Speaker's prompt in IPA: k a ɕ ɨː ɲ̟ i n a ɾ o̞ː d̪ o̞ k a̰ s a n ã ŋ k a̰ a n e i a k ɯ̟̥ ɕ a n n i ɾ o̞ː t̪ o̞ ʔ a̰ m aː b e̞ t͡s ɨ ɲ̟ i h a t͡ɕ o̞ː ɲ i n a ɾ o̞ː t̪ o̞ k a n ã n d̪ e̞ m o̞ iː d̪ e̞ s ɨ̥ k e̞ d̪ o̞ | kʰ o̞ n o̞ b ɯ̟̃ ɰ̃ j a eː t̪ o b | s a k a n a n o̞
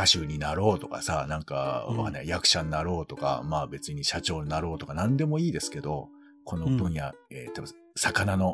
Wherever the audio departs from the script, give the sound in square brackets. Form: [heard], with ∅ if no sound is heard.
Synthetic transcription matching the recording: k a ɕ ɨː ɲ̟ i n a ɾ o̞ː [t̪] o̞ k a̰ s a n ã ŋ k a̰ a n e [j] a k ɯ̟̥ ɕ a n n [a] ɾ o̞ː t̪ o̞ [k] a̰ m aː b e̞ t͡s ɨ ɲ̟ i [ɕ] a t͡ɕ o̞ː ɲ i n a ɾ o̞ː t̪ o̞ k a n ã n d̪ e̞ m o̞ iː d̪ e̞ s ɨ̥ k e̞ d̪ o̞ | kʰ o̞ n o̞ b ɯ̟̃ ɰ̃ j a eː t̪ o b | s a k a n a n o̞